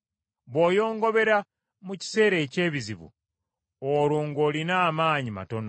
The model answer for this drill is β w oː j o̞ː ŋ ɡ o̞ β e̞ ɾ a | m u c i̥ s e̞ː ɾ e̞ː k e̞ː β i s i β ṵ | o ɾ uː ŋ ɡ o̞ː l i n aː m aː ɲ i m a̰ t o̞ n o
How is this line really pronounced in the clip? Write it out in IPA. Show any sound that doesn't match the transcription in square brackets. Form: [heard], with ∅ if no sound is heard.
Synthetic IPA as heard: β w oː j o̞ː ŋ ɡ o̞ β e̞ ɾ a | m u c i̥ s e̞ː ɾ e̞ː [c] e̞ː β i [z] i β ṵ | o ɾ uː ŋ ɡ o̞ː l i n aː m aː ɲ i m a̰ t o̞ n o